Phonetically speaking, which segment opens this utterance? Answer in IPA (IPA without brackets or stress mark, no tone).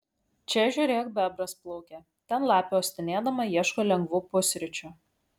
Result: t͡ʃʲ